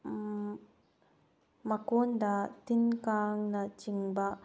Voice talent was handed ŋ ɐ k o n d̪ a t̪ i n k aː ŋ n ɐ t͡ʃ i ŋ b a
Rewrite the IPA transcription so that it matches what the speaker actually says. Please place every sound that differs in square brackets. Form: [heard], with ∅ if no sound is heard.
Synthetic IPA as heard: [m] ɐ k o n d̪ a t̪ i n k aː ŋ n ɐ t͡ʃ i ŋ b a

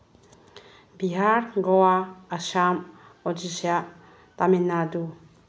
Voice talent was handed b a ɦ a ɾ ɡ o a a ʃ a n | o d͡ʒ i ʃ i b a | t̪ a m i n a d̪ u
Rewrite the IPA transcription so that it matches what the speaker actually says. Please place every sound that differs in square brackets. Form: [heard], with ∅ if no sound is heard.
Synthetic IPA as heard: b [i] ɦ a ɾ ɡ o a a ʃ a [m] | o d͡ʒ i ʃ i [∅] a | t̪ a m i n a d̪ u

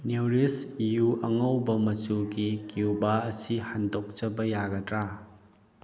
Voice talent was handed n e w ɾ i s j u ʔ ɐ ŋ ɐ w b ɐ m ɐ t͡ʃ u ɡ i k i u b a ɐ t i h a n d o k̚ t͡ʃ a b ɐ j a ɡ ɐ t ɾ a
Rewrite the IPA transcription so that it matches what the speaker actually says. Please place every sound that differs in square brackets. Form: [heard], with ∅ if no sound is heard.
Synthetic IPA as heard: n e w ɾ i s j u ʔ ɐ ŋ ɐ w b ɐ m ɐ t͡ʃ u ɡ i k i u b a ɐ [s] i h a n d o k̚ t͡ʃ [ɐ] b ɐ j a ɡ ɐ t ɾ a

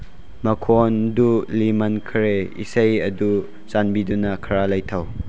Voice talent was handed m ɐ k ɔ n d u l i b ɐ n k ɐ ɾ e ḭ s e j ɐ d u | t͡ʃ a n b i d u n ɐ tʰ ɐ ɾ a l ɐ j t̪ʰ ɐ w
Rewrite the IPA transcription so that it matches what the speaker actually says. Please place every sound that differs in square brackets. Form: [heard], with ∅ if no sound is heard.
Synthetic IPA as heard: m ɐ [kʰ] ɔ n d u l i [m] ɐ n [kʰ] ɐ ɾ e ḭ s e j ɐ d u | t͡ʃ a n b i d u n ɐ [kʰ] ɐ ɾ a l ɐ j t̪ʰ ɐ w

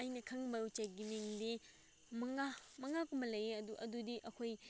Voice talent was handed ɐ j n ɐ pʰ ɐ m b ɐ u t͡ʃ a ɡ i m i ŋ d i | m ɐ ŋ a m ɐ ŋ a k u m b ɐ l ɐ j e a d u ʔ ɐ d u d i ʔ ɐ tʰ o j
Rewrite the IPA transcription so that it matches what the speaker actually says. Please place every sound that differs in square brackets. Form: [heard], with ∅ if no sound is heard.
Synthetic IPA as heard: ɐ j n ɐ [kʰ] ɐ [ŋ] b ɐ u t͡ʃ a ɡ i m i ŋ d i | m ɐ ŋ a m ɐ ŋ a k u m b ɐ l ɐ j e [ɐ] d u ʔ ɐ d u d i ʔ ɐ [kʰ] o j

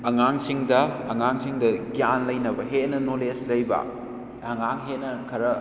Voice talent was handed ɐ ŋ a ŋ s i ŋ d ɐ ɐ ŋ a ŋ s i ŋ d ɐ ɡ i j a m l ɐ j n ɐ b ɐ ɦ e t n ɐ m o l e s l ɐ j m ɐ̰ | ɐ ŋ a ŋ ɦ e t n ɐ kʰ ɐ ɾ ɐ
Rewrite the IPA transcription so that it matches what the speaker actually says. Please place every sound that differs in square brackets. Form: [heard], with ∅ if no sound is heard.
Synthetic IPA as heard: ɐ ŋ a ŋ s i ŋ d ɐ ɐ ŋ a ŋ s i ŋ d ɐ ɡ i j a [n] l ɐ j n ɐ b ɐ ɦ e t n ɐ [n] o l e s l ɐ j [b] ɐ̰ | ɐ ŋ a ŋ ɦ e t n ɐ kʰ ɐ ɾ ɐ

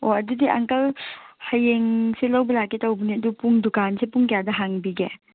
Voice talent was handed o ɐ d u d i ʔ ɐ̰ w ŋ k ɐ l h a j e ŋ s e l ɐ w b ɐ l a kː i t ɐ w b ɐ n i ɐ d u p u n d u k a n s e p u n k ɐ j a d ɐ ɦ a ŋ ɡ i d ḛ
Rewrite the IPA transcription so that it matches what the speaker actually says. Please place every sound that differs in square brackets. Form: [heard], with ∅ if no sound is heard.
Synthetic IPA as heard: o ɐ d u d i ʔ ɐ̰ [∅] ŋ k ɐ l h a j e ŋ s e l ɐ w b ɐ l a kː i t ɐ w b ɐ n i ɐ d u p u [ŋ] d u k a n s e p u [ŋ] k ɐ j a d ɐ ɦ a ŋ [b] i [ɡ] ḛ

